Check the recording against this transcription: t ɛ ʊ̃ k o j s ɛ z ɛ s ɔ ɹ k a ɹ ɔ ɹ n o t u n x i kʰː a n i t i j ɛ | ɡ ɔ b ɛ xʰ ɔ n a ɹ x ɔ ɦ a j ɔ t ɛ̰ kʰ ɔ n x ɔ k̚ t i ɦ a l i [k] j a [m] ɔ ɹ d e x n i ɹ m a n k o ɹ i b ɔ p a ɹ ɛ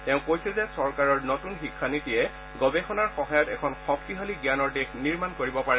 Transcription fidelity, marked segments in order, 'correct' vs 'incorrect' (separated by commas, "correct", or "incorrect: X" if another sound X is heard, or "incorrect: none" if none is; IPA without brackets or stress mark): incorrect: ɡ, incorrect: n